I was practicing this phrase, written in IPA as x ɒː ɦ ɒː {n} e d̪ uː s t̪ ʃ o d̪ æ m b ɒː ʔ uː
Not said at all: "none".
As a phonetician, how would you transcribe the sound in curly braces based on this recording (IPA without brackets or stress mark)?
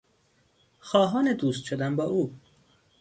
n